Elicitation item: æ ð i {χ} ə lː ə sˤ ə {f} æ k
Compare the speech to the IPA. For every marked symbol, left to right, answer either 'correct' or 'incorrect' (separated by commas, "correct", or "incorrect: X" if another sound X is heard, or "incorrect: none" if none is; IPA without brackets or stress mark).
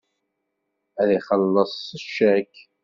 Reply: correct, incorrect: ʃ